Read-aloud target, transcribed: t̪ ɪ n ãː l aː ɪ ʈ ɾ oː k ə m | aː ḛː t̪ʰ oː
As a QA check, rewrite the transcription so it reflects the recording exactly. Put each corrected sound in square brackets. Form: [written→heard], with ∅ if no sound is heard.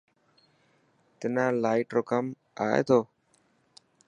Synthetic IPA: t̪ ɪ n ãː l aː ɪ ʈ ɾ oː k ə m | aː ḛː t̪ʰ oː